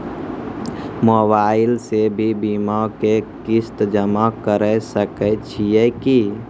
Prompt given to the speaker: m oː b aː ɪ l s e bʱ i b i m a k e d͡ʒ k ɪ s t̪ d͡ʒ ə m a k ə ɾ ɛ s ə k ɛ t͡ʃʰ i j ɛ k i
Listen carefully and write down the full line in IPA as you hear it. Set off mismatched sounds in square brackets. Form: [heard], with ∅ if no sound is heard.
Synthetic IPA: m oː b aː ɪ l s e bʱ i b i m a k e [∅] k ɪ s t̪ d͡ʒ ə m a k ə ɾ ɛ s ə k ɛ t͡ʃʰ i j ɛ k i